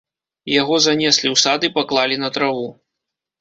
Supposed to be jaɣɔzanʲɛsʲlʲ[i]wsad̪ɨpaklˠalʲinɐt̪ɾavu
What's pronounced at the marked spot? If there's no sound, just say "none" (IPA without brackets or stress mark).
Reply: i